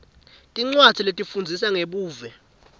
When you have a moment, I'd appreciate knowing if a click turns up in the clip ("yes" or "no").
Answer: yes